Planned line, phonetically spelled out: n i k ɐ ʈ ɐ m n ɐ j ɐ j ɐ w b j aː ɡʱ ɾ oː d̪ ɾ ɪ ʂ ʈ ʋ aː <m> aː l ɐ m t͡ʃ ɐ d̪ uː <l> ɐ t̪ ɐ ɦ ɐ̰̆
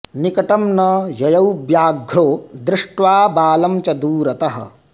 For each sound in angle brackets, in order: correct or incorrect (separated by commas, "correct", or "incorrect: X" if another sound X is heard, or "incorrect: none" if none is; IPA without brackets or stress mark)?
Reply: incorrect: b, incorrect: ɾ